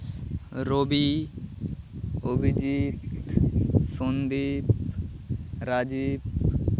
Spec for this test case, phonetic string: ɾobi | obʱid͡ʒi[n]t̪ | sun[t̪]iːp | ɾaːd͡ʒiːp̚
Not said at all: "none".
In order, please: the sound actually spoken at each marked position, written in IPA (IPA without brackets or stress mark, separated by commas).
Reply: none, d̪